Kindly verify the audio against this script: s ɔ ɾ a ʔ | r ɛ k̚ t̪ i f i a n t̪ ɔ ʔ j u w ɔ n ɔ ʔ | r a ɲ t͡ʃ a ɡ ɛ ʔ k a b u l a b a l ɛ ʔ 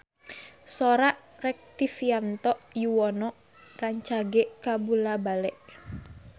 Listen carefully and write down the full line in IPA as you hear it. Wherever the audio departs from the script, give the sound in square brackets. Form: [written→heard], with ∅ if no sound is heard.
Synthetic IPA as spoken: s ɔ ɾ a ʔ | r ɛ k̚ t̪ i f i a n t̪ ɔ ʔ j u w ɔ n ɔ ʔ | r a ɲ t͡ʃ a ɡ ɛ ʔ k a b u l a b a l ɛ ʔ